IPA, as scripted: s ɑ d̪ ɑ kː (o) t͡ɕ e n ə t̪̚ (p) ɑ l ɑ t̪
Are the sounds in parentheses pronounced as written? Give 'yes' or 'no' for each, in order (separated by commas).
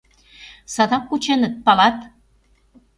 no, yes